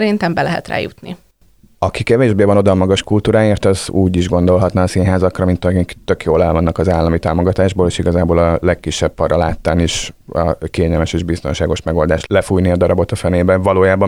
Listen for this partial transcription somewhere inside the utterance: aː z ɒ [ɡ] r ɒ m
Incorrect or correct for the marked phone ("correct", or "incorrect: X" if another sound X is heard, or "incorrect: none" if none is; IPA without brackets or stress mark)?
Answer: incorrect: k